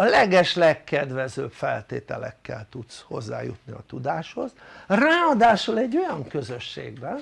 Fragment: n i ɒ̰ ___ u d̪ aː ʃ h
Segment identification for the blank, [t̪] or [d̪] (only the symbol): t̪